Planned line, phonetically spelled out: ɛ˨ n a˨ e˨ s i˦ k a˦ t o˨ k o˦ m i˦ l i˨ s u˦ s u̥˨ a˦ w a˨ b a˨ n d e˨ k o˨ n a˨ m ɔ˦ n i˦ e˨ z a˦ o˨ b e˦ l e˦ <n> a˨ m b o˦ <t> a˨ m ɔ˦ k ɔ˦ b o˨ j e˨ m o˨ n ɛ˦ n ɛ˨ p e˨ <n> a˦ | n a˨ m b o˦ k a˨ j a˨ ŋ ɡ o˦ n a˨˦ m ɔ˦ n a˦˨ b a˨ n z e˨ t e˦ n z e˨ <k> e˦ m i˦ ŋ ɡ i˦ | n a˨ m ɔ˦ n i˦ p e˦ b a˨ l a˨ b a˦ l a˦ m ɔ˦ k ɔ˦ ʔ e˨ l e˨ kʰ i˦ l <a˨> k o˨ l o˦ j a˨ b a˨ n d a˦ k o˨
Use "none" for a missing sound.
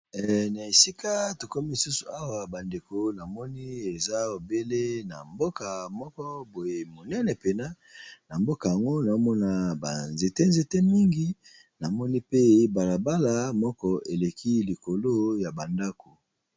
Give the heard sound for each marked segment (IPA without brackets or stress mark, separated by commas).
n, k, n, t, i˨